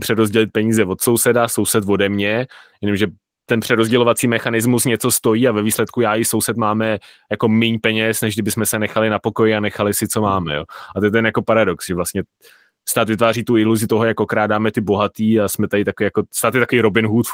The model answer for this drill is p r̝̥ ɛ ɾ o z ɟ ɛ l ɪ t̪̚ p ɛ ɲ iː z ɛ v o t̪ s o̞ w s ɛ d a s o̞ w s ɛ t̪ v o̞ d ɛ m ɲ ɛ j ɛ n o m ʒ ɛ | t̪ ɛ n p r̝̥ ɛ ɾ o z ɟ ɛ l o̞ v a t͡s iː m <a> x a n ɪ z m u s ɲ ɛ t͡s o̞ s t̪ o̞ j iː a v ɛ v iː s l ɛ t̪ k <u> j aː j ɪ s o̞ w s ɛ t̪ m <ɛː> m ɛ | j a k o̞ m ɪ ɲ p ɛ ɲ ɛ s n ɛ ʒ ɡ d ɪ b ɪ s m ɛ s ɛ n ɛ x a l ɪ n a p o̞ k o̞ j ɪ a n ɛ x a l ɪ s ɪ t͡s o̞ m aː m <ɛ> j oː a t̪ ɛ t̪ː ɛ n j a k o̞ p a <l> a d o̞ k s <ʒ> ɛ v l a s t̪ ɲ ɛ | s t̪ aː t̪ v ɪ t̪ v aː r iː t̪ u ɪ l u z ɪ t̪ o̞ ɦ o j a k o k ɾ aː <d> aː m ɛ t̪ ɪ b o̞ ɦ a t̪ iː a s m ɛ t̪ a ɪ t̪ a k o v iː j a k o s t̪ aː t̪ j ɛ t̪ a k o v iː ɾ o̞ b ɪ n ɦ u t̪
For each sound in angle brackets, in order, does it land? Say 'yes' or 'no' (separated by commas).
no, yes, no, yes, no, yes, yes